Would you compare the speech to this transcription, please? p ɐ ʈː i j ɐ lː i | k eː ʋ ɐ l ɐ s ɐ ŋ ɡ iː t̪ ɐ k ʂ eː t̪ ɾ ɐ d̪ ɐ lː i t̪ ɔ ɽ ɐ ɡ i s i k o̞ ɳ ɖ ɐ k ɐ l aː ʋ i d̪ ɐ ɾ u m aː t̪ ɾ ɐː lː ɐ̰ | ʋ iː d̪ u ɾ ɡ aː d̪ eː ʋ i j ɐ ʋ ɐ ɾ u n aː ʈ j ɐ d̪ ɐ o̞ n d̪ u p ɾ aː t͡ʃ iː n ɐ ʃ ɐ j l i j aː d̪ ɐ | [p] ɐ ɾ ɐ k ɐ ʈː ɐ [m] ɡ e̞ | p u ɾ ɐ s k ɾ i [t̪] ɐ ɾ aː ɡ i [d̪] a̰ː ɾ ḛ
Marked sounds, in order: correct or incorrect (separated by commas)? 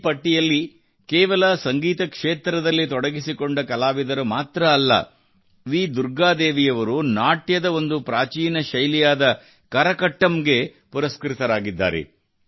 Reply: incorrect, correct, correct, incorrect